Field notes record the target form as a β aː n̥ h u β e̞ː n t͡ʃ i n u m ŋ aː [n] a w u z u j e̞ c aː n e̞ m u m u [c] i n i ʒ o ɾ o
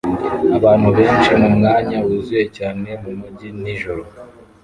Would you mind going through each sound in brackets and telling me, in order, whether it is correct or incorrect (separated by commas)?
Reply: incorrect, incorrect